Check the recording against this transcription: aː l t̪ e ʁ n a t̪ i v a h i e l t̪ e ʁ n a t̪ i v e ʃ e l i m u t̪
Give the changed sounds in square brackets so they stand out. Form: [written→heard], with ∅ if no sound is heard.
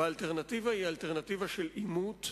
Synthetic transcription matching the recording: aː l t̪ e ʁ n a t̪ i v a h i [e→a] l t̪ e ʁ n a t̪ i v [e→a] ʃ e l i m u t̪